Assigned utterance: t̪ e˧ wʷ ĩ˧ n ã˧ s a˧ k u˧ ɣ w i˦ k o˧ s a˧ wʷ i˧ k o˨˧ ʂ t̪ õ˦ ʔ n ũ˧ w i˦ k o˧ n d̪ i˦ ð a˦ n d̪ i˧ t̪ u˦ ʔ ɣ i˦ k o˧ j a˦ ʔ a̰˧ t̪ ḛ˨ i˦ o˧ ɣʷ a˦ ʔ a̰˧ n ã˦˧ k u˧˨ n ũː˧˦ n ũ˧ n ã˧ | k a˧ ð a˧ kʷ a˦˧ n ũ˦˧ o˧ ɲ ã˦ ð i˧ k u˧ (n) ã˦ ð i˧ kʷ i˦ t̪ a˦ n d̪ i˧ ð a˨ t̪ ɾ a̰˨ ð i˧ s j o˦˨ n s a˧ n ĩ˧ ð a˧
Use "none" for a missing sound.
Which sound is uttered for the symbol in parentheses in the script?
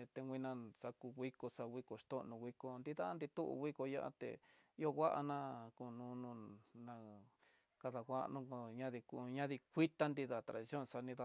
ɲ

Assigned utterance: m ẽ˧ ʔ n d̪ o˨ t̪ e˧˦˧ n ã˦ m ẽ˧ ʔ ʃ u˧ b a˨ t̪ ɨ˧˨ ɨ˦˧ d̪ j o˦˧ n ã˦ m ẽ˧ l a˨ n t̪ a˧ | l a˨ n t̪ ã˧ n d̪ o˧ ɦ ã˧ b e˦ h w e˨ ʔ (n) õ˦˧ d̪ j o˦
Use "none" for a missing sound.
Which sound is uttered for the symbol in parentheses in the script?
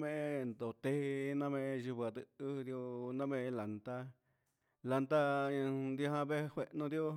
n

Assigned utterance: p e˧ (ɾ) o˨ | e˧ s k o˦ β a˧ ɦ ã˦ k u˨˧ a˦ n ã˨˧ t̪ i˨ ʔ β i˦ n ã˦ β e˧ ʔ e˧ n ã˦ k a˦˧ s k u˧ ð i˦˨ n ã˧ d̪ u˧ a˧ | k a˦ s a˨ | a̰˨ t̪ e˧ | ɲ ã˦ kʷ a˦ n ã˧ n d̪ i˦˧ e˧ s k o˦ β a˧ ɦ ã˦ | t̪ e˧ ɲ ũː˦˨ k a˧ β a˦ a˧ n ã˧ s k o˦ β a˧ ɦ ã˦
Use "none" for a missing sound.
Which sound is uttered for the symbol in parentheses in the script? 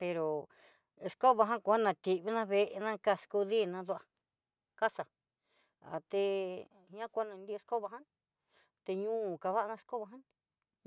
ɾ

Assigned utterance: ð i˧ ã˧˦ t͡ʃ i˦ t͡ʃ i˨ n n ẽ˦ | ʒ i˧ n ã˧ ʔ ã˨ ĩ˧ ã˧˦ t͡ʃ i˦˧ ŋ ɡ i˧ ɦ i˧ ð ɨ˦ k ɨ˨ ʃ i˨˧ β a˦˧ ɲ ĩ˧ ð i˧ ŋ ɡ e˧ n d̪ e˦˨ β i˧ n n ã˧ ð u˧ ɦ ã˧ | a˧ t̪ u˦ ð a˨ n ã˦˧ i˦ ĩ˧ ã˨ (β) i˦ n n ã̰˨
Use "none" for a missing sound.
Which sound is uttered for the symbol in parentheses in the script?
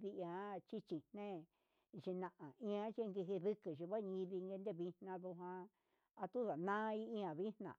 β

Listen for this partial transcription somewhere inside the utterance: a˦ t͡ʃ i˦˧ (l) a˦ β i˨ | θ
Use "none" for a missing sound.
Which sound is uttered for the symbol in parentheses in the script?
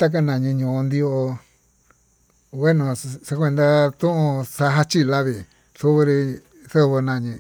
l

